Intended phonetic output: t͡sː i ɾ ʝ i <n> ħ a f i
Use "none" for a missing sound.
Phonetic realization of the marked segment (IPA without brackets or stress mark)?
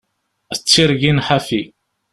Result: n